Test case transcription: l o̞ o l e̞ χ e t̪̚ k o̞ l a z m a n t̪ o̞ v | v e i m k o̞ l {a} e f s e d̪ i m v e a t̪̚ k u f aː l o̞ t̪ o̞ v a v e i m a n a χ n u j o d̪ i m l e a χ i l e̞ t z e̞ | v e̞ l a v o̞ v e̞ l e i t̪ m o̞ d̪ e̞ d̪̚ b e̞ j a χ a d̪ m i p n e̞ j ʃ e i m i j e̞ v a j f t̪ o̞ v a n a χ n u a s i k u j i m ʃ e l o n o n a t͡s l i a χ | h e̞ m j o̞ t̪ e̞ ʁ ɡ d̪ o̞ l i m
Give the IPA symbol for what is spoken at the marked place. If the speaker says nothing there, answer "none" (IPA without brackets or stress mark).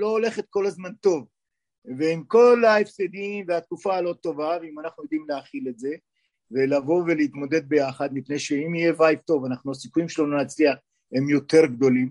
a